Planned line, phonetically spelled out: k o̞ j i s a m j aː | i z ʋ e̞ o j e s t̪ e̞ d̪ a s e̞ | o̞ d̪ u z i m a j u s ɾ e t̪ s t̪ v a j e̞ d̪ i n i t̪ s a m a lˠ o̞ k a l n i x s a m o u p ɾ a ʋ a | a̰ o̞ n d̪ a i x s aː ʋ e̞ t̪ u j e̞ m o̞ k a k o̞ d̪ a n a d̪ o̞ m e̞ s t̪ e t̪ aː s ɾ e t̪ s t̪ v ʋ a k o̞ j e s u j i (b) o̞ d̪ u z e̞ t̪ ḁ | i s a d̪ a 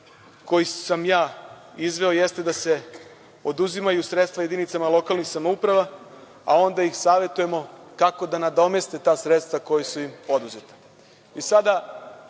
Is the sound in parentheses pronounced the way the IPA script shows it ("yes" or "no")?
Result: no